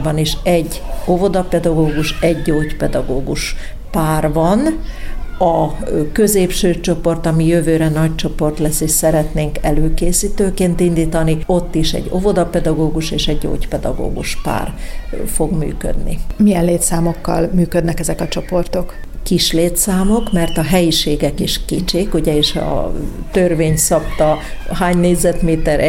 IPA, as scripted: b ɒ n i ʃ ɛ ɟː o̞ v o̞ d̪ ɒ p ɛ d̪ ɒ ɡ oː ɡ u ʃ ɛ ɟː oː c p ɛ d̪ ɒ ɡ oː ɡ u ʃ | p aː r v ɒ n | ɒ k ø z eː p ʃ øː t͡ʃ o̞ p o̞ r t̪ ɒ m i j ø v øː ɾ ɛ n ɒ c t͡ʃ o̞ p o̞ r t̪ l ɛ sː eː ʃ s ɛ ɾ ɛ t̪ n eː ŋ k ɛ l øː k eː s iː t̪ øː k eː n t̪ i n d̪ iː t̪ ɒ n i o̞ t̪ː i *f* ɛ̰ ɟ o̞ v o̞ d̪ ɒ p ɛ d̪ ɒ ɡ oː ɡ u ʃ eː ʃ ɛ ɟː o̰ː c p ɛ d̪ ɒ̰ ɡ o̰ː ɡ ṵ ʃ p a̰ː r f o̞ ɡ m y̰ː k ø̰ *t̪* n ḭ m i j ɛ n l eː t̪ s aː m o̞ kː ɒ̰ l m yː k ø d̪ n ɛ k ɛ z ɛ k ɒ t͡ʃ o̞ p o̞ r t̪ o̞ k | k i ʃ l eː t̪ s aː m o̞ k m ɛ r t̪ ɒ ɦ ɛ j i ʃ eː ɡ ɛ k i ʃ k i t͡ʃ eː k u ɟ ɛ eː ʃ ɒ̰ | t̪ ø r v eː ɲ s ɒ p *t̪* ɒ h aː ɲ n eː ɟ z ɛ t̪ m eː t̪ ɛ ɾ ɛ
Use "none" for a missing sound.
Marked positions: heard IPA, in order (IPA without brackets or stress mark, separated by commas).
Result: ʃ, d̪, t̪